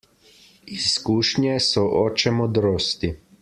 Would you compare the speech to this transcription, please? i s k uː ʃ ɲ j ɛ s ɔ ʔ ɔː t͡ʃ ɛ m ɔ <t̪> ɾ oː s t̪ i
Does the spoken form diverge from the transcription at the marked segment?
yes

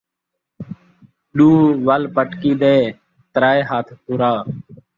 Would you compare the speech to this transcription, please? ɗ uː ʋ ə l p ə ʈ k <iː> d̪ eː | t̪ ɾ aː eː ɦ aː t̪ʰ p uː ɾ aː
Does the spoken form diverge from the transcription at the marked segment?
no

